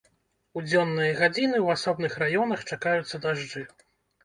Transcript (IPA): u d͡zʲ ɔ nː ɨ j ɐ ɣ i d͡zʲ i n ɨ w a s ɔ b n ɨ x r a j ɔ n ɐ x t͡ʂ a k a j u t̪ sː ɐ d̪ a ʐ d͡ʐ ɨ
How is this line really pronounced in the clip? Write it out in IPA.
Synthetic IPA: u d͡zʲ ɔ nː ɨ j ɐ ɣ a d͡zʲ i n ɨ w a s ɔ b n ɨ x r a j ɔ n ɐ x t͡ʂ a k a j u t̪ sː ɐ d̪ a ʐ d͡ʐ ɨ